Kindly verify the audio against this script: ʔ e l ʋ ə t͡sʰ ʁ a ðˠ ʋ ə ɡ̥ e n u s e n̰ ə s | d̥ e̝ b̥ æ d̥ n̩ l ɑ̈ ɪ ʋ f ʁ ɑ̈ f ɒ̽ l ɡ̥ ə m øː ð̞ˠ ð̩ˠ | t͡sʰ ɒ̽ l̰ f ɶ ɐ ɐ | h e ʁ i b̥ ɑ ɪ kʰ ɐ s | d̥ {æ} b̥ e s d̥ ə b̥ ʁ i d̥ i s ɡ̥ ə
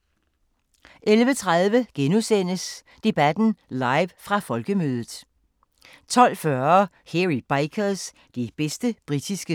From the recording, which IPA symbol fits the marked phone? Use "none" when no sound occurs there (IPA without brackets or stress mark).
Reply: i